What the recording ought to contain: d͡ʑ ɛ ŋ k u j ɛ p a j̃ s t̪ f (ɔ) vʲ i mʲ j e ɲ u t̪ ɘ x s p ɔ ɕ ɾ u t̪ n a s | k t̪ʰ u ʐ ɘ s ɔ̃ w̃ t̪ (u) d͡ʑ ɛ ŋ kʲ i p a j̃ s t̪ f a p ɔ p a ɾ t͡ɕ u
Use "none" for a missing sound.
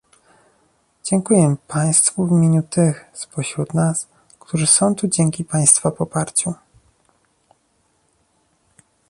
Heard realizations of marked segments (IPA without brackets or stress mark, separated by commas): u, u